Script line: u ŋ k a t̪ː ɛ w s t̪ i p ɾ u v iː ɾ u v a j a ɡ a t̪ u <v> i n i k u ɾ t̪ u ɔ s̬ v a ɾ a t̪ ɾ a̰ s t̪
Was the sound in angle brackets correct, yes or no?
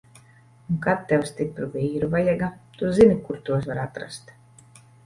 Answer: no